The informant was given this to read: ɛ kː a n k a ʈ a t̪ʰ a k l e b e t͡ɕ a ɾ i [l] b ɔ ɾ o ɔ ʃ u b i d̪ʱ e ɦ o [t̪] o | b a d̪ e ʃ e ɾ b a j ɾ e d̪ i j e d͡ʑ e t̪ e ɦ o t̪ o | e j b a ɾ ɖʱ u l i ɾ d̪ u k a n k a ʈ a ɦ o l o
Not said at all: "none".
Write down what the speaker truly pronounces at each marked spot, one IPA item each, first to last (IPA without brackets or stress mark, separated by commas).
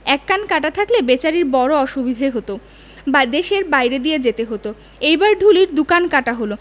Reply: ɾ, t̪